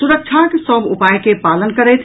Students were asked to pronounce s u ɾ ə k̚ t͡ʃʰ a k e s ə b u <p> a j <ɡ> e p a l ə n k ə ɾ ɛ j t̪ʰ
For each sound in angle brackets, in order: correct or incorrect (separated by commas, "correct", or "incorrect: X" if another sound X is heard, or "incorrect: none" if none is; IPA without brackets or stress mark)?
correct, incorrect: k